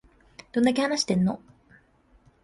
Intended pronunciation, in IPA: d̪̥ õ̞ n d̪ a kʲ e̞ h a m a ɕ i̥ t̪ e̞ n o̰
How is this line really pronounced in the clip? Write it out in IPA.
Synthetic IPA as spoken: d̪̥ o̞ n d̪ a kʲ e̞ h a n a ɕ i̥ t̪ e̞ nː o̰